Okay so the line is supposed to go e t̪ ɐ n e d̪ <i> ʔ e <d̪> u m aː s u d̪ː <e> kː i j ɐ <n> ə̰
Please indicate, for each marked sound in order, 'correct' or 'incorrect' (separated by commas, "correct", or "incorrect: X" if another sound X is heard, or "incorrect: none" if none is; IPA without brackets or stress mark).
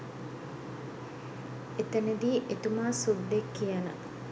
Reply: incorrect: iː, incorrect: t̪, correct, correct